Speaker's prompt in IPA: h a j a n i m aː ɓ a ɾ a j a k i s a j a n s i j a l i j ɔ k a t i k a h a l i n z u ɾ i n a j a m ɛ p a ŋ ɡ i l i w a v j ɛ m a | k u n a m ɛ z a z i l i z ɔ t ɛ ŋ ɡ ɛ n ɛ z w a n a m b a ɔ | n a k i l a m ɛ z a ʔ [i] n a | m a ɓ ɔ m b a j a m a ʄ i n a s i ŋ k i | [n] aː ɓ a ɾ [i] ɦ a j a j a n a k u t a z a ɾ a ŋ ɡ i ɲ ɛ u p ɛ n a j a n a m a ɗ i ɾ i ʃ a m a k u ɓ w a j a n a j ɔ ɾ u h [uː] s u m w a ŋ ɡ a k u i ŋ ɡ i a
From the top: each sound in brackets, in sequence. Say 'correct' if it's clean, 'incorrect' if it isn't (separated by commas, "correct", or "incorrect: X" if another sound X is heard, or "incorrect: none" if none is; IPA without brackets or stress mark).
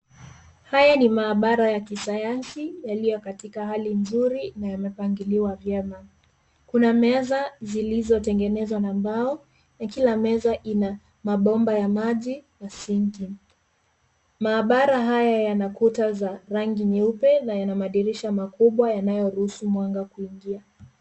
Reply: correct, incorrect: m, incorrect: a, incorrect: u